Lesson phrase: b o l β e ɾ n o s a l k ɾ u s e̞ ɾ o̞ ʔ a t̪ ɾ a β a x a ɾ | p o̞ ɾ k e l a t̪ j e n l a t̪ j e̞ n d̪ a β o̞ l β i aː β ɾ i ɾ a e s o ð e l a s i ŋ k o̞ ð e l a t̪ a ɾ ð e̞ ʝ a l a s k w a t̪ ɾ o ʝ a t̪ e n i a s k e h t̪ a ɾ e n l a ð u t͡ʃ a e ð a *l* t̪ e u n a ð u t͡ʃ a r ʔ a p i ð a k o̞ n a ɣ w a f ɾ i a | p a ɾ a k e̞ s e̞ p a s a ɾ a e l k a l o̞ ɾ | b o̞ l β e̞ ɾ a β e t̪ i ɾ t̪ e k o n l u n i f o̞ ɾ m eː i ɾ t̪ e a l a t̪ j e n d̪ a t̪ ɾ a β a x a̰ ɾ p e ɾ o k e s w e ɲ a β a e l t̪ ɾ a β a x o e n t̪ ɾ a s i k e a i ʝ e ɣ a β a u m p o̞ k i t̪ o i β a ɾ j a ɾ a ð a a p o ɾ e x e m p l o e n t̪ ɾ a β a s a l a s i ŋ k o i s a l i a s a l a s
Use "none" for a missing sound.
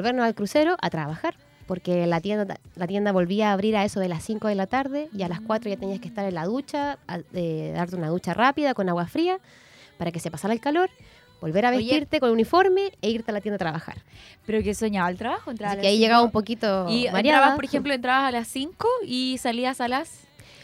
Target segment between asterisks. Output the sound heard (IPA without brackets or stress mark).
ɾ